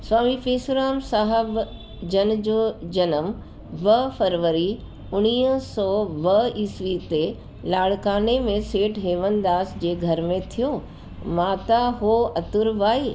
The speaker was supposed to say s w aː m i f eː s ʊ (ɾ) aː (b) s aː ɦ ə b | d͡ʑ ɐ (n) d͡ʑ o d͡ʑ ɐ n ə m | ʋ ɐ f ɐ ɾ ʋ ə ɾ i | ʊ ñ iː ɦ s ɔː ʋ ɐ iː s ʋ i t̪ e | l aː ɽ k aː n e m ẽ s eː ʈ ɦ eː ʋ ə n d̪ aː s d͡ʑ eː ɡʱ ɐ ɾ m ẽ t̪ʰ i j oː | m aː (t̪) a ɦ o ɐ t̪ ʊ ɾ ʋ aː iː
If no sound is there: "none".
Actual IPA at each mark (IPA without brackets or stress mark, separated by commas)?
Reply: ɾ, m, n, t̪